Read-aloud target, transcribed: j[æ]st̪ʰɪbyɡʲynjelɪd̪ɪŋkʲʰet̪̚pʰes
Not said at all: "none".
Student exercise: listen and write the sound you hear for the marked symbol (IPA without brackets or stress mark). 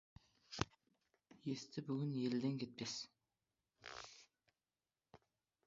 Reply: e